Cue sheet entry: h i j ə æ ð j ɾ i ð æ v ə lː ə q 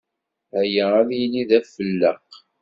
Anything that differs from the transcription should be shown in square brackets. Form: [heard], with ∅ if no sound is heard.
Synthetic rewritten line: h [æ] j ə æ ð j [l] i ð æ [f] ə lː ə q